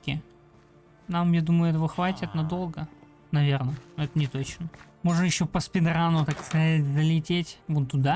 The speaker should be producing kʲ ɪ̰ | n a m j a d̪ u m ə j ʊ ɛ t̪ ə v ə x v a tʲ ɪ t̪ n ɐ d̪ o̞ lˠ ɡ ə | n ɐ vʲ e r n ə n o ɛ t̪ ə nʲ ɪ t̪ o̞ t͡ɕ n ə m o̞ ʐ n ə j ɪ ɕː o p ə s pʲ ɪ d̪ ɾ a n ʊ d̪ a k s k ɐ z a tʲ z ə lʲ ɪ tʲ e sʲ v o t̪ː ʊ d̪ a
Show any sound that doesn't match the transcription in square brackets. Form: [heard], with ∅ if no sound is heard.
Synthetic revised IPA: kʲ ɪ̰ | n a m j a d̪ u m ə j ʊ ɛ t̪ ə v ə x v a tʲ ɪ t̪ n ɐ d̪ o̞ lˠ ɡ ə | n ɐ vʲ e r n ə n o ɛ t̪ ə nʲ ɪ t̪ o̞ t͡ɕ n ə m o̞ ʐ n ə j ɪ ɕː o p ə s pʲ ɪ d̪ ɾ a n ʊ [t̪] a k s k ɐ z a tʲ z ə lʲ ɪ tʲ e [tʲ] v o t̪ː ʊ d̪ a